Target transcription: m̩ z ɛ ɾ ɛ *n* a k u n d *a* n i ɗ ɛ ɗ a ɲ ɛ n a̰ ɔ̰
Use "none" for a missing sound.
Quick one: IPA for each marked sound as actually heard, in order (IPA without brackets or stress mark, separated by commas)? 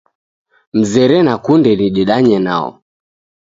n, ɛ